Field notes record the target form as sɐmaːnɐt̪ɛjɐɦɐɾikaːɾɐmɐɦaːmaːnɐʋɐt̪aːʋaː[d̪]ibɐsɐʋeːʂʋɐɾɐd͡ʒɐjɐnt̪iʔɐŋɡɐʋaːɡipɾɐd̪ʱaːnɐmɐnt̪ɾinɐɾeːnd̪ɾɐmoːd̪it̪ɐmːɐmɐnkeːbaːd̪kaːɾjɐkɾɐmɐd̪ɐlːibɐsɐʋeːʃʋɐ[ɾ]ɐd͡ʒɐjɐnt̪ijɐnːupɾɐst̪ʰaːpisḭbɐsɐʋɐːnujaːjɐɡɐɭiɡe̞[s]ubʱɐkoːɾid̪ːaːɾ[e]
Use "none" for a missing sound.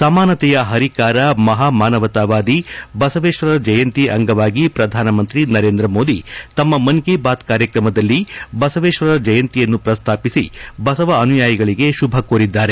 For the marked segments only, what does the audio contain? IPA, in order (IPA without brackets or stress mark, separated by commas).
d̪, ɾ, ʃ, e